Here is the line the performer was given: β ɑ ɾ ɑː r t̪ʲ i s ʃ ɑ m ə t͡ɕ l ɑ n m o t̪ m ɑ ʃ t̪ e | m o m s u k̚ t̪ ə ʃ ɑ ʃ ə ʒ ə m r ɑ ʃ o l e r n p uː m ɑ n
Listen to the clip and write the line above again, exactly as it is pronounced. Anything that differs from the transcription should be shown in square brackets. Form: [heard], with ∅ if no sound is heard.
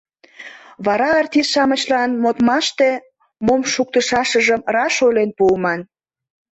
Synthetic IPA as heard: β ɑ ɾ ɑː r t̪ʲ i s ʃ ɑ m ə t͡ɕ l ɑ n m o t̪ m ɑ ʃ t̪ e | m o m [ʃ] u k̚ t̪ ə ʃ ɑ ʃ ə ʒ ə m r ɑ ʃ o l e [∅] n p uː m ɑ n

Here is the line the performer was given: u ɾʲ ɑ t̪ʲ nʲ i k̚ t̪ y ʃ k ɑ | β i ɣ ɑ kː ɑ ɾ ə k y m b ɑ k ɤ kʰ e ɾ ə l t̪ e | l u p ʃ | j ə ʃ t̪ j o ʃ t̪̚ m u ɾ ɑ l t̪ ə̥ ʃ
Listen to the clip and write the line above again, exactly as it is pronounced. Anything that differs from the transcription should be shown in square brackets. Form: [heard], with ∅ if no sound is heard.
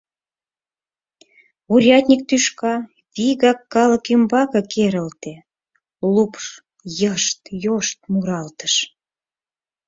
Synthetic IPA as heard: u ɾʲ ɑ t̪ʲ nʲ i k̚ t̪ y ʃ k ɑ | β i ɣ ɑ kː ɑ [l] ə k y m b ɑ k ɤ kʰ e ɾ ə l t̪ e | l u p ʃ | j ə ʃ t̪ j o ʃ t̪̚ m u ɾ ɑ l t̪ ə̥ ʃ

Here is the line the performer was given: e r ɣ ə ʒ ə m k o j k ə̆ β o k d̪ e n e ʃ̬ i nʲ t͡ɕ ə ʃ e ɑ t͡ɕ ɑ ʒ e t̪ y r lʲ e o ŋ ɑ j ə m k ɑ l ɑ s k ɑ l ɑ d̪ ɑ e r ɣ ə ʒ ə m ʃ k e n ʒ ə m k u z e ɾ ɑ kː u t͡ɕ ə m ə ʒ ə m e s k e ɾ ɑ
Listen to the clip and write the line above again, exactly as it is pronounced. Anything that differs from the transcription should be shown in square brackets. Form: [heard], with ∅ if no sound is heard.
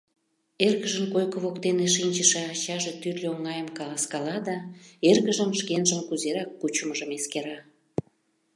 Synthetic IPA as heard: e r ɣ ə ʒ ə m k o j k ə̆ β o k [t̪] e n e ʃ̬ i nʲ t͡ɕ ə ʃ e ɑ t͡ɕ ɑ ʒ e t̪ y r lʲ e o ŋ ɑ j ə m k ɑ l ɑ s k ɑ l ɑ d̪ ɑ e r ɣ ə ʒ ə m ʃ k e n ʒ ə m k u z e ɾ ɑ kː u t͡ɕ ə m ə ʒ ə m e s k e ɾ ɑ

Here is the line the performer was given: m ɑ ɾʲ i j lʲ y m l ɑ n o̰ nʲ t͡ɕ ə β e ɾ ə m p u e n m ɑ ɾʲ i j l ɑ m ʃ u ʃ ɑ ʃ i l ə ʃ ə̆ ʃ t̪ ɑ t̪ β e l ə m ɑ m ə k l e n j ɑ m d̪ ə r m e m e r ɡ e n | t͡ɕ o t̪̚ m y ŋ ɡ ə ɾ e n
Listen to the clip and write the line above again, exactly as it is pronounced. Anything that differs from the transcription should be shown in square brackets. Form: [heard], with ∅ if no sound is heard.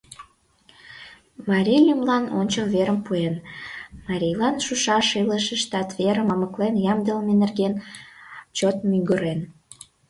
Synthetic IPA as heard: m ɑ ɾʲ i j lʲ y m l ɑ n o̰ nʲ t͡ɕ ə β e ɾ ə m p u e n m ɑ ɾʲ i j l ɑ [n] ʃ u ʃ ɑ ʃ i l ə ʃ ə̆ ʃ t̪ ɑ t̪ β e [ɾ] ə m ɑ m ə k l e n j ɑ m d̪ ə [l] m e [n] e r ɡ e n | t͡ɕ o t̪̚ m y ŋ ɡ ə ɾ e n

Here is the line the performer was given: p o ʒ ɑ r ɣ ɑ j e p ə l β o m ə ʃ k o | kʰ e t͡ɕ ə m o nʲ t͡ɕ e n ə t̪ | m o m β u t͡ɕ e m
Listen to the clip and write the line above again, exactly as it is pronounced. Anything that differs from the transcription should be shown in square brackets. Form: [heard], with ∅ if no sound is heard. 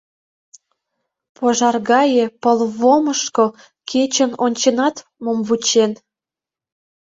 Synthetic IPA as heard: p o ʒ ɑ r ɣ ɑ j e p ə l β o m ə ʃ k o | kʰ e t͡ɕ ə [n] o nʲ t͡ɕ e n [ɑ] t̪ | m o m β u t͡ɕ e [n]

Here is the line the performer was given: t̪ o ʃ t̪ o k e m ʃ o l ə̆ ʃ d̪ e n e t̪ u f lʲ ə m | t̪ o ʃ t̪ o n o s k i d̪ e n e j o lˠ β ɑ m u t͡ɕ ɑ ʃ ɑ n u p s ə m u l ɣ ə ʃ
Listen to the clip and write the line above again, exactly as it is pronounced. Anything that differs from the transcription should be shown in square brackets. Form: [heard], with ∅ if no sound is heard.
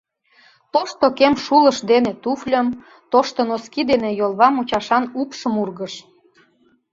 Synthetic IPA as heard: t̪ o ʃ t̪ o k e m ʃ [u] l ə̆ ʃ d̪ e n e t̪ u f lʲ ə m | t̪ o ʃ t̪ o n o s k i d̪ e n e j o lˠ β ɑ m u t͡ɕ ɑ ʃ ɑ n u p [ʃ] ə m u [r] ɣ ə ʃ

